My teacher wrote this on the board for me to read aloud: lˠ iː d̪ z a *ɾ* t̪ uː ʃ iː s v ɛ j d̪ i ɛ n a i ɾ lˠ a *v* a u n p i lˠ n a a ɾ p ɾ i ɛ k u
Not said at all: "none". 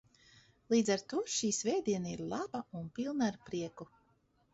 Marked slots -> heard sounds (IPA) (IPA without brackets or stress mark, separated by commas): ɾ, b